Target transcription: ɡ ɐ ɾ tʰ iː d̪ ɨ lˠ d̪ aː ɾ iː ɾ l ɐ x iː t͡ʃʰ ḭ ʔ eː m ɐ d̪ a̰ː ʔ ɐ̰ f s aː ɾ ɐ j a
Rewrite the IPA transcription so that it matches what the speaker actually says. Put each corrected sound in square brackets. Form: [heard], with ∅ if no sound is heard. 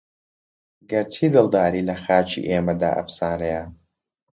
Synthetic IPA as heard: ɡ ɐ ɾ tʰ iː d̪ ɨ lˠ d̪ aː ɾ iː [∅] l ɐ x [aː] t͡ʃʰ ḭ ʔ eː m ɐ d̪ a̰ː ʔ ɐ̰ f s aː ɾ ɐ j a